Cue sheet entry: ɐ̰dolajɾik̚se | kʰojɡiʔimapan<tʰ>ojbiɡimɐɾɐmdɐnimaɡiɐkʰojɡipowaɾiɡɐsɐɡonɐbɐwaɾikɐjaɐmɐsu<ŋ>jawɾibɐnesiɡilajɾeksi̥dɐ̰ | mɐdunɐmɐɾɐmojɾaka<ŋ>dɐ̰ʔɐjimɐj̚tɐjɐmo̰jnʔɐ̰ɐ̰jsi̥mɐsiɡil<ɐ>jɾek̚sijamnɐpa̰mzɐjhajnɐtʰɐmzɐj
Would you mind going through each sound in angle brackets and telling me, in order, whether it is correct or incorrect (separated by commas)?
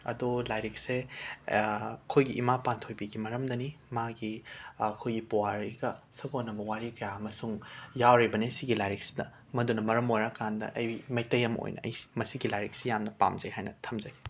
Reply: correct, correct, incorrect, incorrect